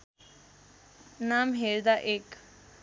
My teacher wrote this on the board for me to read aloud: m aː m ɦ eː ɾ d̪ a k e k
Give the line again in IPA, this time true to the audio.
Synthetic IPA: n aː m ɦ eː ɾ d̪ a ʔ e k